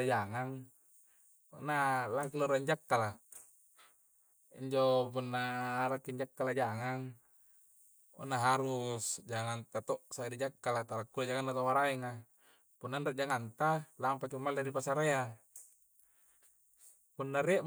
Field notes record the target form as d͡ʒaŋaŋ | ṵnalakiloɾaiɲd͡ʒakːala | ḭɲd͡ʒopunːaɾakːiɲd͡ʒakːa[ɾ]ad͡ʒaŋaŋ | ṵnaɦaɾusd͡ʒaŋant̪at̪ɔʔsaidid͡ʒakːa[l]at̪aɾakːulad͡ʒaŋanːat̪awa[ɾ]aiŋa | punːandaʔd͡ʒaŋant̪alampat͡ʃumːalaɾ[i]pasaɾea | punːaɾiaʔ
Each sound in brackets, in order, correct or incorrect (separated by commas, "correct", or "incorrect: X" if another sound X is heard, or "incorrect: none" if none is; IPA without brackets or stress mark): incorrect: l, correct, correct, correct